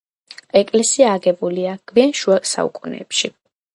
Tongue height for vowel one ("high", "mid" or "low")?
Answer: mid